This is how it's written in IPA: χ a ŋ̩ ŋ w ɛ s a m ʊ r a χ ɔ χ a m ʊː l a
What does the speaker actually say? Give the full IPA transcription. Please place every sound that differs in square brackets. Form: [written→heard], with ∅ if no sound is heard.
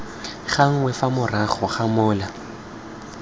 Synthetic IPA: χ a ŋ̩ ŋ w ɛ [s→f] a m ʊ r a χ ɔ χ a m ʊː l a